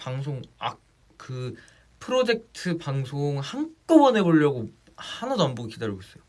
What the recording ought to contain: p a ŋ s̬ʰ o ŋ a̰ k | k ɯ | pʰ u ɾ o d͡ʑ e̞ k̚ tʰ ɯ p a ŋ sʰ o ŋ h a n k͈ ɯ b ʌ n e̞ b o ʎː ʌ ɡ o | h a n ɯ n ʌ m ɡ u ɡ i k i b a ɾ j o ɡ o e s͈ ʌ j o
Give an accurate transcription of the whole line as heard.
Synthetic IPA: p a ŋ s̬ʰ o ŋ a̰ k | k ɯ | pʰ ɯ ɾ o d͡ʑ e̞ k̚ tʰ ɯ p a ŋ sʰ o ŋ h a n k͈ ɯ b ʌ n e̞ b o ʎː ʌ ɡ o | h a n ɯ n ʌ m b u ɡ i k i d a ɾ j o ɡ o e s͈ ʌ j o